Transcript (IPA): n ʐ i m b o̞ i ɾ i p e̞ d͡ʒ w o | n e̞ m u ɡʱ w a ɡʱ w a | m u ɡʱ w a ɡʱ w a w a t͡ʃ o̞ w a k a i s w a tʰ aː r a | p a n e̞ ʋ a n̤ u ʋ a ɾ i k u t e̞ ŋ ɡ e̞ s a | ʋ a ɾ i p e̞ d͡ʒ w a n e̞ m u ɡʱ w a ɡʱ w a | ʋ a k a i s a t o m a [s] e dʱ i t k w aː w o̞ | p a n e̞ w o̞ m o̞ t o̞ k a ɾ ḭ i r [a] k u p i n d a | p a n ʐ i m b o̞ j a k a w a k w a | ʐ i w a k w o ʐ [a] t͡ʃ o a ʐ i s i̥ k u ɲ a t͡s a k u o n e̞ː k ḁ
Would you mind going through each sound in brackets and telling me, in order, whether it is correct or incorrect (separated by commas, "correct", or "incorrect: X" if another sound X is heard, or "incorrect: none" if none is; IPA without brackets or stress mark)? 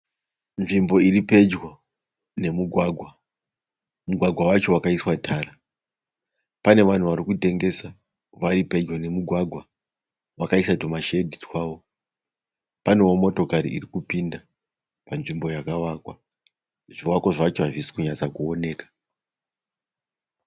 incorrect: ʃ, incorrect: i, correct